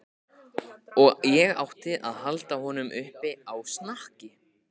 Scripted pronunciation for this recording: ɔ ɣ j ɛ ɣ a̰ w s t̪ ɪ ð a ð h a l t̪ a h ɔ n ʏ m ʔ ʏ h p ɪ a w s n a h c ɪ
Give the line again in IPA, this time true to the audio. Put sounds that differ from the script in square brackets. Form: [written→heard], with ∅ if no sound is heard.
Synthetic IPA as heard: ɔ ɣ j ɛ ɣ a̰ w [s→h] t̪ ɪ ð a ð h a l t̪ a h ɔ n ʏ m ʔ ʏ h p ɪ a w s n a h c ɪ

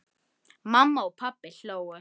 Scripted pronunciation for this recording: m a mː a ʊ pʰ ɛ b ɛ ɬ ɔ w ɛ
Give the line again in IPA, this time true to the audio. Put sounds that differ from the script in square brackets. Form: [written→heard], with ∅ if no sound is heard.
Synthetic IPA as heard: m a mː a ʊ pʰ [ɛ→a] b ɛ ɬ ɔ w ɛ

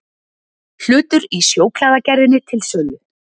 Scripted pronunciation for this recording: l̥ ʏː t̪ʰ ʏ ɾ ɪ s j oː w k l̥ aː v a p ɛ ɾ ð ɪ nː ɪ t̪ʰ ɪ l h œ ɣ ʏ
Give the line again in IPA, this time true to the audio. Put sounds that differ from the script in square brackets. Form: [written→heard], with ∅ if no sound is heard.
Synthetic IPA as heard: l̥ ʏː [t̪ʰ→t̪] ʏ ɾ [ɪ→i] s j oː w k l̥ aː [v→ð] a [p→c] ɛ ɾ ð ɪ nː ɪ t̪ʰ ɪ l [h→s] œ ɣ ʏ

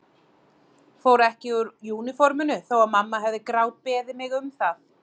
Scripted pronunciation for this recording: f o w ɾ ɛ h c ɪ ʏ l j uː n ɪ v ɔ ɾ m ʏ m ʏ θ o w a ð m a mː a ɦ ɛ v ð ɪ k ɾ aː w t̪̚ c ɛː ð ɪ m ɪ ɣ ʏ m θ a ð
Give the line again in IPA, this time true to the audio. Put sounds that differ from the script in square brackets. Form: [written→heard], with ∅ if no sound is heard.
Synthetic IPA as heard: f o w ɾ ɛ h c ɪ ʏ [l→ɾ] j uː n ɪ [v→f] ɔ ɾ m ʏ [m→n] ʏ θ o w a ð m a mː a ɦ ɛ v ð ɪ k ɾ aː w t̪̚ [c→p] ɛː ð ɪ m ɪ ɣ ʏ m θ a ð

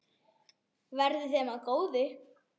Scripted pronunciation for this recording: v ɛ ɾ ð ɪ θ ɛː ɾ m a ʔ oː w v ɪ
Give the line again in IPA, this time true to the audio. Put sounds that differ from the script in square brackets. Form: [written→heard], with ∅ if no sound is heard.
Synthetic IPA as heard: v ɛ ɾ ð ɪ θ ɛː [ɾ→∅] m a [ʔ→k] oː w [v→ð] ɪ

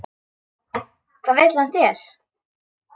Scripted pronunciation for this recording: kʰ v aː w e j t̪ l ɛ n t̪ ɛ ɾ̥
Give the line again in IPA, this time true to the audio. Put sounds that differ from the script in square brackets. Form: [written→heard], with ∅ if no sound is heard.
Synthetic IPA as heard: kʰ v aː [w→v] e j t̪ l [ɛ→a] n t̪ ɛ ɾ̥

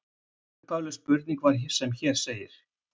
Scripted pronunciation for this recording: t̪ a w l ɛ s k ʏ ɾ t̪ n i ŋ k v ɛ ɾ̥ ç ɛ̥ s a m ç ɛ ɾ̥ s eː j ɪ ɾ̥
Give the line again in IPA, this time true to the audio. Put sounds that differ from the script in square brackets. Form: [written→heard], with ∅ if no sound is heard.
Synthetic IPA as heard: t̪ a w l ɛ s [k→p] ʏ ɾ t̪ n i ŋ k v [ɛ→a] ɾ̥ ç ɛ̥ s [a→ɛ] m ç ɛ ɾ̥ s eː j ɪ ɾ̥

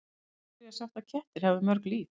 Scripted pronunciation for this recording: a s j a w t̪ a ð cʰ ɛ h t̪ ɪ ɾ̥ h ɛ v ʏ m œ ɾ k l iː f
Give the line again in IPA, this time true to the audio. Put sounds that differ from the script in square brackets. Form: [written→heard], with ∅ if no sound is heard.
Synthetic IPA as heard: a s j a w t̪ a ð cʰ ɛ h t̪ ɪ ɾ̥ h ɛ v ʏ m œ ɾ k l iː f

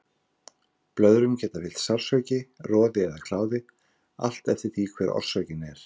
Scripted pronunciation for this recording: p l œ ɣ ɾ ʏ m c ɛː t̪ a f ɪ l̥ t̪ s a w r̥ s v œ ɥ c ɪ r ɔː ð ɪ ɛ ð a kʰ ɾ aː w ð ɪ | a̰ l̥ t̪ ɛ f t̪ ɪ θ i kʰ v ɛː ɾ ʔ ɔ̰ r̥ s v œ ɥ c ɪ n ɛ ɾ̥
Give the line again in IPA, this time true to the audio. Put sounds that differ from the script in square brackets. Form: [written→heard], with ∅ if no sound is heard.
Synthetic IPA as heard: p l œ [ɣ→ð] ɾ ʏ m c ɛː t̪ a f ɪ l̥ t̪ s a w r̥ s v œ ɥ c ɪ r ɔː ð ɪ ɛ ð a kʰ [ɾ→l] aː w ð ɪ | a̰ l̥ t̪ ɛ f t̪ ɪ θ i kʰ v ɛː ɾ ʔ ɔ̰ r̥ s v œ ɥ c ɪ n ɛ ɾ̥

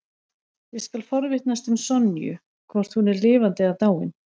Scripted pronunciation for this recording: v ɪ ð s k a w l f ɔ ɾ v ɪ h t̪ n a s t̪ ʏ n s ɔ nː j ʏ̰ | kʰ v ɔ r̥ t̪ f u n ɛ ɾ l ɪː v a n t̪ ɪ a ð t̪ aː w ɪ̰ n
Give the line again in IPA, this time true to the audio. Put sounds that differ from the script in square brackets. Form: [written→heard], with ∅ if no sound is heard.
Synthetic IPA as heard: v ɪ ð s k a [w→∅] l f ɔ ɾ v ɪ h t̪ n a s t̪ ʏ [n→m] s ɔ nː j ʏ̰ | kʰ v ɔ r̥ t̪ [f→h] u n ɛ ɾ l ɪː v a n t̪ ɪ a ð t̪ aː w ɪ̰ n

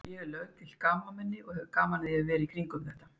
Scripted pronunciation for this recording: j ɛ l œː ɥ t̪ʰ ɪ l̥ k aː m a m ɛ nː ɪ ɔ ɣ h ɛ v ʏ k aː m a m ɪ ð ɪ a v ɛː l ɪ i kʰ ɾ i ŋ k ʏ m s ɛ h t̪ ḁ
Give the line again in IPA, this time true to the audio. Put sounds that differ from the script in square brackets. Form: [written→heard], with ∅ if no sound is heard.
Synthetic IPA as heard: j ɛ l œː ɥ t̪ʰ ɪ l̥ k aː m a m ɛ nː ɪ ɔ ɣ h ɛ v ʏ k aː m a [m→n] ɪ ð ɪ a v ɛː [l→ɾ] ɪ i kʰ ɾ i ŋ k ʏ m [s→θ] ɛ h t̪ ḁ

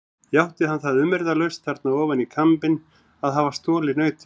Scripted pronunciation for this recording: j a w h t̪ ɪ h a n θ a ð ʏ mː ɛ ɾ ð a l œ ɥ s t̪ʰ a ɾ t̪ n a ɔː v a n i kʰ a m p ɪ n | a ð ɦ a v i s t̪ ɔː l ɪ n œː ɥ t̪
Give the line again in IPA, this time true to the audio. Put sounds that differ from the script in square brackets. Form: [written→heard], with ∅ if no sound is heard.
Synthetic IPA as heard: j a w h t̪ ɪ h a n θ a ð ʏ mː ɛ ɾ ð a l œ ɥ s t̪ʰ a ɾ t̪ n a ɔː v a n i kʰ a m p ɪ n | a ð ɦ a v [i→a] s t̪ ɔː l ɪ n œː ɥ t̪

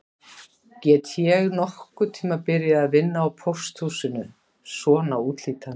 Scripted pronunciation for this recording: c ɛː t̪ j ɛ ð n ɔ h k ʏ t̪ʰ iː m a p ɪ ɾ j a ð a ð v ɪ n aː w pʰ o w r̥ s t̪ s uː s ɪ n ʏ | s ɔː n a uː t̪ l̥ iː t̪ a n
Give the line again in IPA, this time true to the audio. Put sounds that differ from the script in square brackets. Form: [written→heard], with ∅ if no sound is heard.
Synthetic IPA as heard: c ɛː t̪ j ɛ [ð→ɣ] n ɔ h k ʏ t̪ʰ iː m a p ɪ ɾ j a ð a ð v ɪ [n→nː] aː w pʰ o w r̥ s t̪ [s→h] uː s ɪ n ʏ | s ɔː n a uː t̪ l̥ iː t̪ a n

